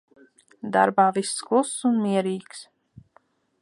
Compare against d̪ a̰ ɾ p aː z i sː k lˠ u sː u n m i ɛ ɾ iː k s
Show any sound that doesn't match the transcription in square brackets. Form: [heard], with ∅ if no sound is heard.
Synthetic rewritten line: d̪ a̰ ɾ [b] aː [v] i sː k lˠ u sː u n m i ɛ ɾ iː k s